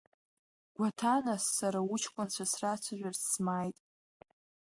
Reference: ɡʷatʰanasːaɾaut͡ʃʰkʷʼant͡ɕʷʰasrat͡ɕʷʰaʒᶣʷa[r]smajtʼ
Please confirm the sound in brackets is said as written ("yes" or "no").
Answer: yes